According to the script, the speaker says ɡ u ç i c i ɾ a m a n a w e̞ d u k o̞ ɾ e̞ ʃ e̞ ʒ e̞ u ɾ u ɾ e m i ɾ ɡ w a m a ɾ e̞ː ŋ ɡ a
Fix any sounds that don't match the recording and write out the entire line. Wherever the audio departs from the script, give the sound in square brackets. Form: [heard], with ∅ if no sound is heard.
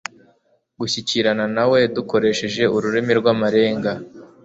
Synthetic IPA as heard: ɡ u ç i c i ɾ a [n] a n a w e̞ d u k o̞ ɾ e̞ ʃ e̞ ʒ e̞ u ɾ u ɾ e m i ɾ ɡ w a m a ɾ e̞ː ŋ ɡ a